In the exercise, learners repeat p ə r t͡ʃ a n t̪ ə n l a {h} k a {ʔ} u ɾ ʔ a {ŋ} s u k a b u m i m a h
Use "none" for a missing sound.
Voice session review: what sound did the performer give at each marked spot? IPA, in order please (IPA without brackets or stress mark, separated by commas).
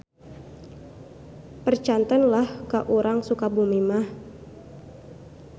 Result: h, ʔ, ŋ